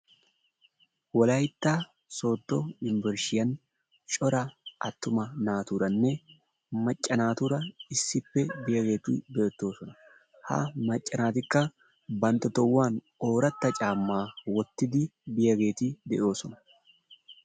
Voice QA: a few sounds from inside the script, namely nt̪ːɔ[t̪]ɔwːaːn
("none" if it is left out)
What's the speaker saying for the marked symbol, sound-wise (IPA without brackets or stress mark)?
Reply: t̪